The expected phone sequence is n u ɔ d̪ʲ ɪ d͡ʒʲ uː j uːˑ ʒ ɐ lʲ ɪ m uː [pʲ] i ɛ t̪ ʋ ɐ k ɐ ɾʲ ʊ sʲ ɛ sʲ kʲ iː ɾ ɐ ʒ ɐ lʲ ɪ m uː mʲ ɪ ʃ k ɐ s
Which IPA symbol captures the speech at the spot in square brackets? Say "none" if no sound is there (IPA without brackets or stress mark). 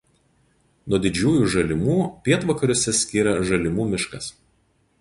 pʲ